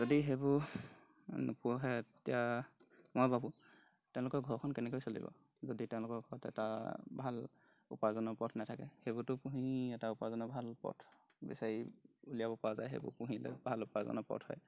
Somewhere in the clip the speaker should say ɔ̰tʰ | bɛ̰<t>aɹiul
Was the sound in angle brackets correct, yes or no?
no